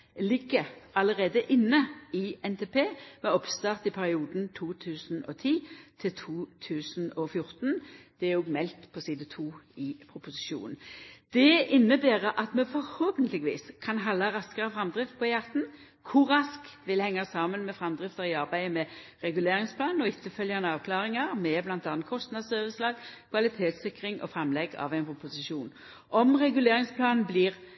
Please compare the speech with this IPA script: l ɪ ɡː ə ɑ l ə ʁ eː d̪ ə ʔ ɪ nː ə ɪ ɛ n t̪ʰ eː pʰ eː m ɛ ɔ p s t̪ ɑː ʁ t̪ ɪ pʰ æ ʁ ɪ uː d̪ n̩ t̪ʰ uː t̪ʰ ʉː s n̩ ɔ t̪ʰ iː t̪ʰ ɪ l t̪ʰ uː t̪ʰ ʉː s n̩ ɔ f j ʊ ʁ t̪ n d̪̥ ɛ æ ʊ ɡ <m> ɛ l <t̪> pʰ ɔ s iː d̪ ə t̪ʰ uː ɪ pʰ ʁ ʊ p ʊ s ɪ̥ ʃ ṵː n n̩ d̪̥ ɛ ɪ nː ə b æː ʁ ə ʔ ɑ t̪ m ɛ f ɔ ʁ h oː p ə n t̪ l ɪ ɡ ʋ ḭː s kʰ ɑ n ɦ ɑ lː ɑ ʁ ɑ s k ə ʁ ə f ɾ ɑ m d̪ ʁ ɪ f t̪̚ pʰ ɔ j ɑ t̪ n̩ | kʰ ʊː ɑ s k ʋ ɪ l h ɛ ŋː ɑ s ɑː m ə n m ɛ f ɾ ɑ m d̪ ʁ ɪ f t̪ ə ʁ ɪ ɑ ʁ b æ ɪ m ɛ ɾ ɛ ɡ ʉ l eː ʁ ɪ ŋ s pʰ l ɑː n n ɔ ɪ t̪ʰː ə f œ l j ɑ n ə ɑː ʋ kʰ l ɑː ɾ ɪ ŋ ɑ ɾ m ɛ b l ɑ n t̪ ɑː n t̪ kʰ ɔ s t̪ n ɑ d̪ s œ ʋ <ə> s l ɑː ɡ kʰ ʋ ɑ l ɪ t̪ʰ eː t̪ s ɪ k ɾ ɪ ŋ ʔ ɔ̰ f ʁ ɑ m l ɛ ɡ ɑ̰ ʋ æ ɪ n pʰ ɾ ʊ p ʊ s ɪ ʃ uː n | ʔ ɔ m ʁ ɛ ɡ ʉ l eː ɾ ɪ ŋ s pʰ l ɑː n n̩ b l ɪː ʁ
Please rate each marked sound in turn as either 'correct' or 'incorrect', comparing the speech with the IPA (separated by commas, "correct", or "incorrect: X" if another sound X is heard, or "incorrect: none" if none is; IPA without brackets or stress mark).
correct, correct, correct